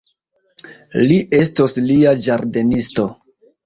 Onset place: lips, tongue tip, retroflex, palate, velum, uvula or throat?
tongue tip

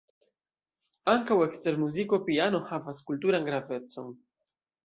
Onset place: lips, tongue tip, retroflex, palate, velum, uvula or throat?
velum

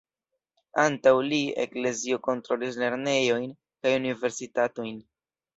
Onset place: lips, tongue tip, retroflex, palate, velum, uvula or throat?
tongue tip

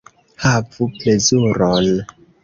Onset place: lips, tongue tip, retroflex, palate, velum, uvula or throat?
throat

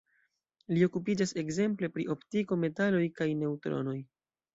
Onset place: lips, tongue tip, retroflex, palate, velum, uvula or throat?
tongue tip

